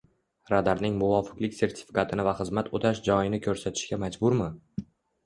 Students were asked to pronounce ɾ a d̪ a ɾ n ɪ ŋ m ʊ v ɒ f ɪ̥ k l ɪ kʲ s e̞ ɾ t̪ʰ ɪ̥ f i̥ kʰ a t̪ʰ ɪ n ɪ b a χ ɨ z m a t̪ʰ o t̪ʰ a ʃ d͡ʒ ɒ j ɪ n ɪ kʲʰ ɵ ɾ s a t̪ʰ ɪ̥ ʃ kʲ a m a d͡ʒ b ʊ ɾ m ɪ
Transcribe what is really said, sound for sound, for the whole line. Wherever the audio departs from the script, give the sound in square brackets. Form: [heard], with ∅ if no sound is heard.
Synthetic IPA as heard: ɾ a d̪ a ɾ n ɪ ŋ m ʊ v ɒ f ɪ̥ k l ɪ kʲ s e̞ ɾ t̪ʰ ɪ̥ f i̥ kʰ a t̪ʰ ɪ n ɪ [v] a χ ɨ z m a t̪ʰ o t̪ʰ a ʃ d͡ʒ ɒ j ɪ n ɪ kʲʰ ɵ ɾ s a t̪ʰ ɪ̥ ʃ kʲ a m a d͡ʒ b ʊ ɾ m ɪ

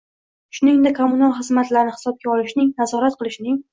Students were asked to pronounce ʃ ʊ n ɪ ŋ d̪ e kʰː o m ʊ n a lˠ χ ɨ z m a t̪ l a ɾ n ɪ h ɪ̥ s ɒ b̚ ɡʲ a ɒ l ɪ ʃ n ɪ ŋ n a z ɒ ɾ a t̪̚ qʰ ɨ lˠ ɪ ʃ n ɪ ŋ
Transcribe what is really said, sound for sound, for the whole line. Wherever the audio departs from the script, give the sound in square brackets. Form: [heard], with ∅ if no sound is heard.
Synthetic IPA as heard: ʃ ʊ n ɪ ŋ d̪ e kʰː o m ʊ n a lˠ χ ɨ z m a t̪ l a ɾ n ɪ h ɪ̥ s ɒ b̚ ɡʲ a ɒ l ɪ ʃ n ɪ ŋ n a z ɒ ɾ a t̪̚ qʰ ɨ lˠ ɪ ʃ n ɪ ŋ

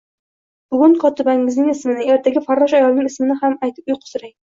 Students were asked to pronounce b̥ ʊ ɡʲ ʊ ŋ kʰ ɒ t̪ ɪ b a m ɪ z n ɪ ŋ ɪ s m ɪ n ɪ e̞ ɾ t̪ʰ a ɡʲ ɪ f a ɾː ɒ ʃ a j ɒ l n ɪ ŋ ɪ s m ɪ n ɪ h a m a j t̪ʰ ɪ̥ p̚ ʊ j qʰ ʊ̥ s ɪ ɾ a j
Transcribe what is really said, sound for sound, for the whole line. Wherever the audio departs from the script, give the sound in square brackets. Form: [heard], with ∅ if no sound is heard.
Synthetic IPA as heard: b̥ ʊ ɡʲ ʊ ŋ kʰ ɒ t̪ ɪ b a [ŋ] ɪ z n ɪ ŋ ɪ s m ɪ n ɪ e̞ ɾ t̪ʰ a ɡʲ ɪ f a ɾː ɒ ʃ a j ɒ l n ɪ ŋ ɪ s m ɪ n ɪ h a m a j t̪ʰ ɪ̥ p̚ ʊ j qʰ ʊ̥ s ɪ ɾ a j

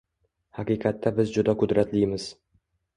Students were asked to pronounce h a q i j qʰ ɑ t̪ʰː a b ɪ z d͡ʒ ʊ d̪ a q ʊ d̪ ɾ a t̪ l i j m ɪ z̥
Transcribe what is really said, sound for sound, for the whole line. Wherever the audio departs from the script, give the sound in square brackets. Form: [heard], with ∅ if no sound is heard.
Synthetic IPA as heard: h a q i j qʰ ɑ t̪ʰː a b ɪ z d͡ʒ ʊ d̪ a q ʊ d̪ ɾ a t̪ l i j m ɪ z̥

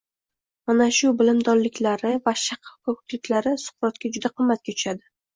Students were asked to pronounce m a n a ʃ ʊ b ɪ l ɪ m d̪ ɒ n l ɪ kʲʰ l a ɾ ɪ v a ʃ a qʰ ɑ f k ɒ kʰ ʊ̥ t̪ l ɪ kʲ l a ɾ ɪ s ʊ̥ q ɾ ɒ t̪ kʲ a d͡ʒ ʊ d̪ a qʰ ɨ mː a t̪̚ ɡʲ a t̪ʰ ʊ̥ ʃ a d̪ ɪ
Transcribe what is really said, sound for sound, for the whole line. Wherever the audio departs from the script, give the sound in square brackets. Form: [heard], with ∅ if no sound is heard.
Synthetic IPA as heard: m a n a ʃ ʊ b ɪ l ɪ m d̪ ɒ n l ɪ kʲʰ l a ɾ ɪ v a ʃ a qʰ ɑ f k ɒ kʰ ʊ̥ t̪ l ɪ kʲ l a ɾ ɪ s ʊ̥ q ɾ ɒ t̪ kʲ a d͡ʒ ʊ d̪ a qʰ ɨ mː a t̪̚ [kʲ] a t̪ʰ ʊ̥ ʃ a d̪ ɪ

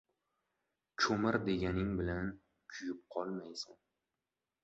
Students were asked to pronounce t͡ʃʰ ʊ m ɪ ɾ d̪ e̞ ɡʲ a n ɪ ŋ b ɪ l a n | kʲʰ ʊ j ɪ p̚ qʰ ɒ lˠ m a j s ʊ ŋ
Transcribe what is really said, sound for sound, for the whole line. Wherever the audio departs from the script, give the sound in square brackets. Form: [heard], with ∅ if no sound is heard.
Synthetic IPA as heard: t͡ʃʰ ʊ m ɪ ɾ d̪ e̞ ɡʲ a n ɪ ŋ b ɪ l a n | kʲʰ ʊ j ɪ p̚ qʰ ɒ lˠ m a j s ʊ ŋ

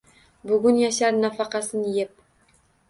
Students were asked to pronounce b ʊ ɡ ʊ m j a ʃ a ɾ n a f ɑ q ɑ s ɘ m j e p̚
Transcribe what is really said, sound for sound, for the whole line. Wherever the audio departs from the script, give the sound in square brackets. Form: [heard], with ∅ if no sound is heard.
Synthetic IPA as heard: b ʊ ɡ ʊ [n] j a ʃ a ɾ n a f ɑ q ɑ s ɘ [n] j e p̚

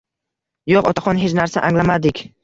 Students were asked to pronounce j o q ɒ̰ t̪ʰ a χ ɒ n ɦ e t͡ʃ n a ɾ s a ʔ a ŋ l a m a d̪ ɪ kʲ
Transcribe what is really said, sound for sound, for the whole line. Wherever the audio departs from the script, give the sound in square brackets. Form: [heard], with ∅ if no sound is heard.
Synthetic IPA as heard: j o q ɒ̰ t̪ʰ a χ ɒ n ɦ e t͡ʃ n a ɾ s a ʔ a ŋ l a m a d̪ ɪ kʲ

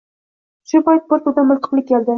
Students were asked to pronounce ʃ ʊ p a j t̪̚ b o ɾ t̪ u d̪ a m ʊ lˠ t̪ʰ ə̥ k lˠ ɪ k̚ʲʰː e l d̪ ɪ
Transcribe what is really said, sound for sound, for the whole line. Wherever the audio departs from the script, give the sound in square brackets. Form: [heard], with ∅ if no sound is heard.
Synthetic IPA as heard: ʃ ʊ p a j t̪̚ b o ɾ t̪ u d̪ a m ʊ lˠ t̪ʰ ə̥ [q] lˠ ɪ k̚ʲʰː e l d̪ ɪ

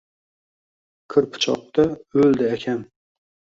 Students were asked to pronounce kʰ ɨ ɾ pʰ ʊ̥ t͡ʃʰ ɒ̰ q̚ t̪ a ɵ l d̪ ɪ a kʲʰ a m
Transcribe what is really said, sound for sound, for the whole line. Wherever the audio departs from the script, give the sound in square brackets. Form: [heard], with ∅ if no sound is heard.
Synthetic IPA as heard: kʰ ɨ ɾ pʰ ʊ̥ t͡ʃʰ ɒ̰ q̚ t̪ a ɵ l d̪ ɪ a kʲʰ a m

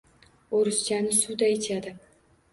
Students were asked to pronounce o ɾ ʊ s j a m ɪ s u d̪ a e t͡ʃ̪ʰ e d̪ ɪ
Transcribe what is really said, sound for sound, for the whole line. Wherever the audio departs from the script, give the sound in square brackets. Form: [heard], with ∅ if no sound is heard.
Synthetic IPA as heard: o ɾ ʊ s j a [n] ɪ s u d̪ a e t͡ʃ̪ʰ [a] d̪ ɪ

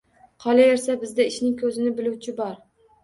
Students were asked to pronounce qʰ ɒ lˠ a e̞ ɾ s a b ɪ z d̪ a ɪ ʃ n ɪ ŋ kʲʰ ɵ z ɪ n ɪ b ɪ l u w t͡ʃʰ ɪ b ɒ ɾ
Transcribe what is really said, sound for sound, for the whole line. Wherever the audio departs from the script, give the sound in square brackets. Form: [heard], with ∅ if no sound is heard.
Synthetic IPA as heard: qʰ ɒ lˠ a e̞ ɾ s a b ɪ z d̪ a ɪ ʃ n ɪ ŋ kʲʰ ɵ z ɪ n ɪ b ɪ l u w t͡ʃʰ ɪ b ɒ ɾ

